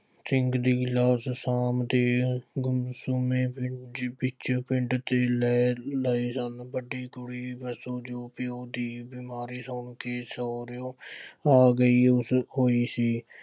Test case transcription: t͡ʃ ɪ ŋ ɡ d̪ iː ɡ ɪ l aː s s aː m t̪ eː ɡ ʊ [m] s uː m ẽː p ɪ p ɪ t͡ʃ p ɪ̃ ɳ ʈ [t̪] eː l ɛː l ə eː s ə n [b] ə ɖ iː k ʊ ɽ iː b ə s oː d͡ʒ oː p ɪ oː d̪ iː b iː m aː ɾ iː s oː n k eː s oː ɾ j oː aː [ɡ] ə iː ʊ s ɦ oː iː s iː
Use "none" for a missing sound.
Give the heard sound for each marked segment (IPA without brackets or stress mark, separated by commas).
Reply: m, t̪, b, ɡ